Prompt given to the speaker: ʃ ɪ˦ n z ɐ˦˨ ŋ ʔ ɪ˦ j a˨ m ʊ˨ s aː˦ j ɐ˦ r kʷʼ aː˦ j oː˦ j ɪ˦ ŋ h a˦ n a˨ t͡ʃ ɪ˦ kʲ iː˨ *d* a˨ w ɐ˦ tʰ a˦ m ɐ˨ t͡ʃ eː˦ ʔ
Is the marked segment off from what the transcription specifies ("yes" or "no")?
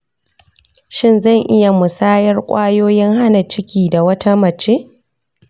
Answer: no